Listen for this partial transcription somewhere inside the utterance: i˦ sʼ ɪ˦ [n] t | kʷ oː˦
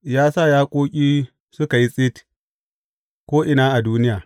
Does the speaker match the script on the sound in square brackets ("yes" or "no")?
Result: no